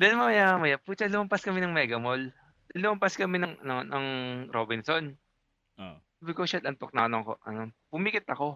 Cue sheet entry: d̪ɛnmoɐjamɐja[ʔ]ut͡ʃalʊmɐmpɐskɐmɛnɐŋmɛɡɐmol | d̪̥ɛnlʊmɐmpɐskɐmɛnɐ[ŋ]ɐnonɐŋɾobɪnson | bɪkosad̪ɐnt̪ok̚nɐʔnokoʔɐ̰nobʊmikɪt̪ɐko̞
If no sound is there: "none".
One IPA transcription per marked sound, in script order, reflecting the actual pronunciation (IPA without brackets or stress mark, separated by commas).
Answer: p, ŋ